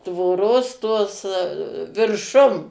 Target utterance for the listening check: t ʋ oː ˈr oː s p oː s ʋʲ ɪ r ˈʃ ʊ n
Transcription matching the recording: t ʋ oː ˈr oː s t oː s ʋʲ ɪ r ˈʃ ʊ m